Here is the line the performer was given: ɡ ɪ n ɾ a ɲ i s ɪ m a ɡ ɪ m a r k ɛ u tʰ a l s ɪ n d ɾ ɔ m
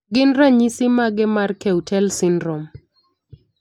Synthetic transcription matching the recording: ɡ ɪ n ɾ a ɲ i s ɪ m a ɡ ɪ m a r k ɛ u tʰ ɛ l s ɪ n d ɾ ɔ m

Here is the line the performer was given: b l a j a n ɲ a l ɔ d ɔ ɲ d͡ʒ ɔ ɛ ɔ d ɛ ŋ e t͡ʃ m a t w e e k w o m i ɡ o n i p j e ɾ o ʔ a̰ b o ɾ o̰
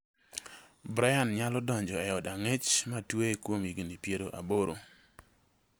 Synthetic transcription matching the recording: b ɾ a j a n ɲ a l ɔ d ɔ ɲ d͡ʒ ɔ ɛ ɔ d a ŋ e t͡ʃ m a t w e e k w o m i ɡ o n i p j e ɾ o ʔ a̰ b o ɾ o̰

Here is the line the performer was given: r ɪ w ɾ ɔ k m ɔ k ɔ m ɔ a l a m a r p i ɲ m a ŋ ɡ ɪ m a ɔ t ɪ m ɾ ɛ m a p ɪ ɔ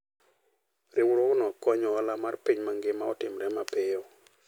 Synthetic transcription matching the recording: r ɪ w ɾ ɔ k n ɔ k ɔ ɲ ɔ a l a m a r p i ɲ m a ŋ ɡ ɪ m a ɔ t ɪ m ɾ ɛ m a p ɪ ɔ

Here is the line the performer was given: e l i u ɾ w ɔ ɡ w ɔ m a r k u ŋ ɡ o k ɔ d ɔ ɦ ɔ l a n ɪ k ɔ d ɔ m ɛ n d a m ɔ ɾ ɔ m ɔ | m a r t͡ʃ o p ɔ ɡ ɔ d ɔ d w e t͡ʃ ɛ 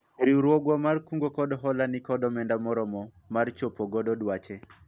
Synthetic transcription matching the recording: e ɾ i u ɾ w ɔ ɡ w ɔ m a r k u ŋ ɡ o k ɔ d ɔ ɦ ɔ l a n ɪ k ɔ d ɔ m ɛ n d a m ɔ ɾ ɔ m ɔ | m a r t͡ʃ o p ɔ ɡ ɔ d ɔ d w a t͡ʃ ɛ

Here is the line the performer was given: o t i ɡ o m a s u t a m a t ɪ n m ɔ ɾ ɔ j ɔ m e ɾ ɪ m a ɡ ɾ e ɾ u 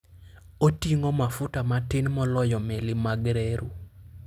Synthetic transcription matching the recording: o t i ŋ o m a f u t a m a t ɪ n m ɔ l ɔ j ɔ m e l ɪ m a ɡ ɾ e ɾ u

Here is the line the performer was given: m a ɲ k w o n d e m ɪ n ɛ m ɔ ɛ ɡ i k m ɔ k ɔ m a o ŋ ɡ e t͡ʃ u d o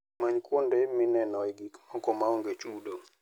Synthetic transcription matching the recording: m a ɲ k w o n d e m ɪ n ɛ n ɔ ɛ ɡ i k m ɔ k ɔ m a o ŋ ɡ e t͡ʃ u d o

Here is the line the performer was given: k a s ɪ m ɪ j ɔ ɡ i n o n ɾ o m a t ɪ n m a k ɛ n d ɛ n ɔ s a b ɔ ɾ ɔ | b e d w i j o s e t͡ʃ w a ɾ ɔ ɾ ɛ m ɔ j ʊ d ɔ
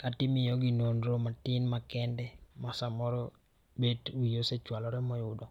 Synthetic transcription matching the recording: k a t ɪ m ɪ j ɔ ɡ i n o n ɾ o m a t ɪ n m a k ɛ n d ɛ m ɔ s a m ɔ ɾ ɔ | b e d w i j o s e t͡ʃ w a l ɔ ɾ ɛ m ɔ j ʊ d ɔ

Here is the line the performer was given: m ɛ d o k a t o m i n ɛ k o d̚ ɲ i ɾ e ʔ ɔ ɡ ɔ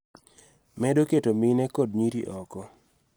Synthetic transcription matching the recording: m ɛ d o k e t o m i n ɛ k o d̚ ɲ i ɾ i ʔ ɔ k ɔ

